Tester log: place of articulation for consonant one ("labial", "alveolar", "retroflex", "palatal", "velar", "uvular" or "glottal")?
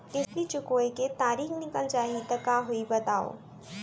alveolar